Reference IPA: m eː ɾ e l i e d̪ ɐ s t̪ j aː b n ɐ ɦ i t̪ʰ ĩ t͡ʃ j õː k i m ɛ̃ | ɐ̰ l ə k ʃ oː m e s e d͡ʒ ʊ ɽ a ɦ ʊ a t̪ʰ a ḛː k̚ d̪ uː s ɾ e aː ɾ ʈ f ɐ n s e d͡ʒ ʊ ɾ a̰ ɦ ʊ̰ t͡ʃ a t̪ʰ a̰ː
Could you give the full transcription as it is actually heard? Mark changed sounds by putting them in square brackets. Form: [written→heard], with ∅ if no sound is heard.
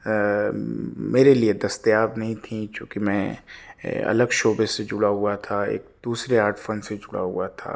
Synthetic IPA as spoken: m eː ɾ e l i e d̪ ɐ s t̪ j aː b n ɐ ɦ [i→ĩ] t̪ʰ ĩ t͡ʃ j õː k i m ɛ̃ | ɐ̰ l ə [k→ɡ] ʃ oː [m→b] e s e d͡ʒ ʊ ɽ a ɦ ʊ a t̪ʰ a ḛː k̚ d̪ uː s ɾ e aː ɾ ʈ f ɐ n s e d͡ʒ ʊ [ɾ→ɽ] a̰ ɦ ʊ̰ [t͡ʃ→∅] a t̪ʰ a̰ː